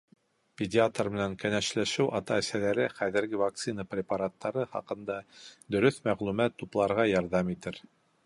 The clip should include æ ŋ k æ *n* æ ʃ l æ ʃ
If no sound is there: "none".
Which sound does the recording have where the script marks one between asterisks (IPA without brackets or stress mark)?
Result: n